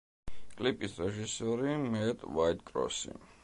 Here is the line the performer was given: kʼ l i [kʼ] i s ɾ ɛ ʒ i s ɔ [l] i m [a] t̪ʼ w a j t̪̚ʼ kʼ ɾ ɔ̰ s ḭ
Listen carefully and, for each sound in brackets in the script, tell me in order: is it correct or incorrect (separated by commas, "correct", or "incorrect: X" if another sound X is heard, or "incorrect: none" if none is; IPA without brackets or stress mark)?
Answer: incorrect: pʼ, incorrect: ɾ, incorrect: ɛ